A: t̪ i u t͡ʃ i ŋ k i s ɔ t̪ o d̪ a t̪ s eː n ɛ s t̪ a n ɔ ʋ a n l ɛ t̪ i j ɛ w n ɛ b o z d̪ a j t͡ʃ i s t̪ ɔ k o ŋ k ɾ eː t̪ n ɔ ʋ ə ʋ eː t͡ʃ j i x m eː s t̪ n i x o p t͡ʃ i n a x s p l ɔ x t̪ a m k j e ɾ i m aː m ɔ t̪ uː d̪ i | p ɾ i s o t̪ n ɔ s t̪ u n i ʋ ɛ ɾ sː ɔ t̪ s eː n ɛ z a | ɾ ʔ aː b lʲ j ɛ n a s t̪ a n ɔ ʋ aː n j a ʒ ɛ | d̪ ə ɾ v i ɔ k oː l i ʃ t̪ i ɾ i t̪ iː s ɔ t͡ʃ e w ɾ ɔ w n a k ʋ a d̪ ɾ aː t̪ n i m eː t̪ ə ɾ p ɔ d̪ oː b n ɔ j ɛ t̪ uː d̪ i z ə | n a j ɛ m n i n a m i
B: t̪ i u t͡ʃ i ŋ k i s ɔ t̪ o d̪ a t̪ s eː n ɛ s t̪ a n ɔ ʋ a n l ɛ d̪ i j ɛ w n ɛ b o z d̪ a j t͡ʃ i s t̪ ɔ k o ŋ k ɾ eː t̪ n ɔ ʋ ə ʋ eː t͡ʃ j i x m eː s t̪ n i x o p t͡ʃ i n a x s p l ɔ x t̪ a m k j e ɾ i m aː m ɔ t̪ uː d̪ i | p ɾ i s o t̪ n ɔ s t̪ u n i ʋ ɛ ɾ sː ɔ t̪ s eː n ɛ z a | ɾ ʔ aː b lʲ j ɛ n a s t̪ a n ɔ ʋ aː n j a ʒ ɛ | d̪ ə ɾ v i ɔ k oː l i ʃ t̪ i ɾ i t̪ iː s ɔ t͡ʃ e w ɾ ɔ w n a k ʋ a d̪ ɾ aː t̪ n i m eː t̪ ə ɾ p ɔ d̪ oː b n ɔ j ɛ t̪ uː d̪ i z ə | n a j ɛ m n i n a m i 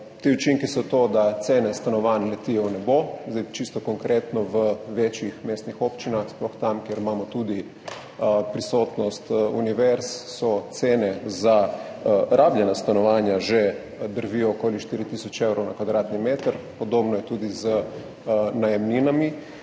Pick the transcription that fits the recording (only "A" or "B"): A